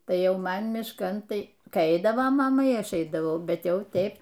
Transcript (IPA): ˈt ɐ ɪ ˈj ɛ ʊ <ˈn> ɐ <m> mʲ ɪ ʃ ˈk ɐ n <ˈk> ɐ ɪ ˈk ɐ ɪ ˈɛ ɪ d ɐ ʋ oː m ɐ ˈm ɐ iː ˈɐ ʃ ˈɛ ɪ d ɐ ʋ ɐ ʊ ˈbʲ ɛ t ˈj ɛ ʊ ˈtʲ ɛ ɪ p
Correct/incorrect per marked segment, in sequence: incorrect: m, incorrect: n, incorrect: t

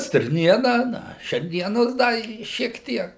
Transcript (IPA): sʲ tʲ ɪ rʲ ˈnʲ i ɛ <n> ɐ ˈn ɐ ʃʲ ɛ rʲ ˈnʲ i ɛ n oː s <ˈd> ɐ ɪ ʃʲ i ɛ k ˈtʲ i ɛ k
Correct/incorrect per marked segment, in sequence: correct, correct

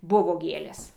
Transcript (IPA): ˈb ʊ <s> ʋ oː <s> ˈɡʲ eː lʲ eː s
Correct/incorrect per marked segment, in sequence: incorrect: none, incorrect: none

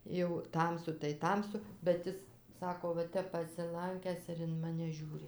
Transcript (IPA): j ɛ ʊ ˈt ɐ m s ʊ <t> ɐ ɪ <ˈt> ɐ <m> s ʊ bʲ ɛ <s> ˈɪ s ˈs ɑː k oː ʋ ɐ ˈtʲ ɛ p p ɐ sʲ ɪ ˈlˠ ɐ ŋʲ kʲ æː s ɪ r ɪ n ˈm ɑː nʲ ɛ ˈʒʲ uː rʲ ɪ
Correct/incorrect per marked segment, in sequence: correct, correct, correct, incorrect: t

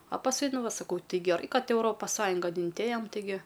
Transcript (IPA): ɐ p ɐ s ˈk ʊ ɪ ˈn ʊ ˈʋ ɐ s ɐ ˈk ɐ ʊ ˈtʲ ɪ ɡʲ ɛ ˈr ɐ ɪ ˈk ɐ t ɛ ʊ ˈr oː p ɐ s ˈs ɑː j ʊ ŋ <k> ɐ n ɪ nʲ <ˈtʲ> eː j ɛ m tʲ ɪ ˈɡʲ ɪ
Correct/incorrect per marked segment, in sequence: incorrect: ɡ, correct

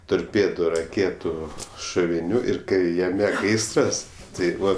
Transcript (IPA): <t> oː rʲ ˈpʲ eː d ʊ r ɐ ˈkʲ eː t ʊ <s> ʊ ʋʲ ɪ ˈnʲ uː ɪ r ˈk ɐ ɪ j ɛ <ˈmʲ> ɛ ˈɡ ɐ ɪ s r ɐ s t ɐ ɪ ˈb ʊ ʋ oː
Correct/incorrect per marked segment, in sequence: correct, incorrect: ʃ, correct

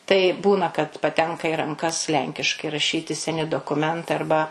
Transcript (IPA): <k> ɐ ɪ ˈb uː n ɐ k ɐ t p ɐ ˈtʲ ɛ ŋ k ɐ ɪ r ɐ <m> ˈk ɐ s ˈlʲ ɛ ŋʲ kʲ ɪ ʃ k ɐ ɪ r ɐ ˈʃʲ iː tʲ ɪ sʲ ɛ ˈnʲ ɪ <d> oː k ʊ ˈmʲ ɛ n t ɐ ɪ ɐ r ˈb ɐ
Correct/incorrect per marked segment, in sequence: incorrect: t, incorrect: ŋ, correct

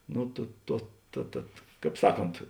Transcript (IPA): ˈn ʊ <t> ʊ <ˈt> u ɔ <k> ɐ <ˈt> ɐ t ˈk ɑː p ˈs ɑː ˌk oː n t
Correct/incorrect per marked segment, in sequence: correct, correct, incorrect: t, correct

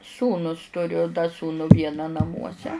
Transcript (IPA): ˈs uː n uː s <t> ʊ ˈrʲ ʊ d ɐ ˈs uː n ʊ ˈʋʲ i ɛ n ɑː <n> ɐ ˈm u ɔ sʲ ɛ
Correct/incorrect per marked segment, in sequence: correct, correct

